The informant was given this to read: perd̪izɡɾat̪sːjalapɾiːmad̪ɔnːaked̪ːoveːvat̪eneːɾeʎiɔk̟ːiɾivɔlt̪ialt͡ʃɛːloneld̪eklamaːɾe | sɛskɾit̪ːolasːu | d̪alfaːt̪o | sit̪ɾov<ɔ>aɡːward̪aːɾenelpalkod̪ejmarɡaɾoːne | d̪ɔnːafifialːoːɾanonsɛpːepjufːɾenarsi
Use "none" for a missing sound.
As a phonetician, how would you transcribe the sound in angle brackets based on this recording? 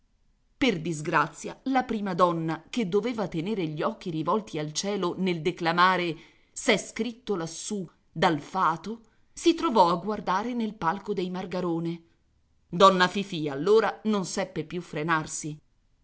ɔ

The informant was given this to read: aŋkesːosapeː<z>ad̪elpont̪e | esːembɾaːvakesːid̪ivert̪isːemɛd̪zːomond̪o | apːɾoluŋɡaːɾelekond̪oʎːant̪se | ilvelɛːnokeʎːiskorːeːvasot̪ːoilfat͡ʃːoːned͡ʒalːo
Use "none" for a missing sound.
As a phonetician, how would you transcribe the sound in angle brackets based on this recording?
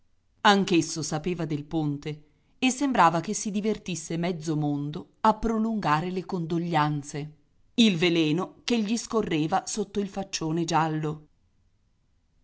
v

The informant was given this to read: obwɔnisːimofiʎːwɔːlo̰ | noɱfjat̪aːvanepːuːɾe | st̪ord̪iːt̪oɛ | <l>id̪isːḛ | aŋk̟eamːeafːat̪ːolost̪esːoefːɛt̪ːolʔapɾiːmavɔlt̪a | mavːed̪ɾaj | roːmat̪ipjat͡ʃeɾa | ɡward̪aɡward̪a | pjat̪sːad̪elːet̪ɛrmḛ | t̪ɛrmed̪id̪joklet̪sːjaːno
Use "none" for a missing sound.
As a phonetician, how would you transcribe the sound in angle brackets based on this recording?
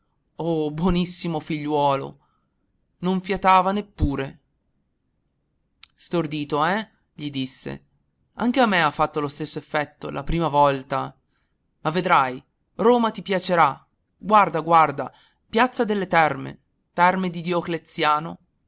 ʎ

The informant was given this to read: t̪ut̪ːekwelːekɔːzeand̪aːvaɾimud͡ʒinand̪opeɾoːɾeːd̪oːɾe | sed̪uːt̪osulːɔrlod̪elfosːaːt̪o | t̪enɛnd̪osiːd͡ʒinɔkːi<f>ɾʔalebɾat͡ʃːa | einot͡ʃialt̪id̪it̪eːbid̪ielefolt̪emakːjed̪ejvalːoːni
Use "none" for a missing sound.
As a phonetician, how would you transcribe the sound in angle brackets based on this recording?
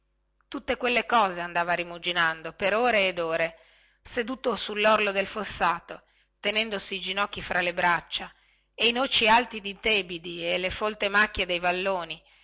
f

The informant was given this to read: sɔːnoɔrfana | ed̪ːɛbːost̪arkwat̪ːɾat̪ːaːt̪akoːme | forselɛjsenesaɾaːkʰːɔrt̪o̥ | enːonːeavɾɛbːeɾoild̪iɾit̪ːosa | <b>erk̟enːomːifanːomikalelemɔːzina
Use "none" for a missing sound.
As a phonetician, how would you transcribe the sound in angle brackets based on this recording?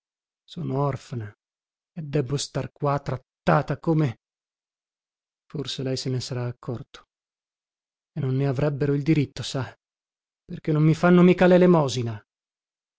p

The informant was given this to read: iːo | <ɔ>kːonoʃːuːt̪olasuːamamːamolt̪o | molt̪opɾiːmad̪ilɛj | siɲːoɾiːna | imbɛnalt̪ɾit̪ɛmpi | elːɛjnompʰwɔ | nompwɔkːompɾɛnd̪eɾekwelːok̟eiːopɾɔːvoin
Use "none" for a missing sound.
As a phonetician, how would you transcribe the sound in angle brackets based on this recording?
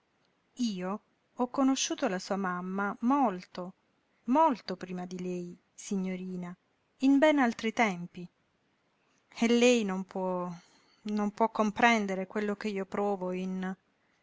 ɔ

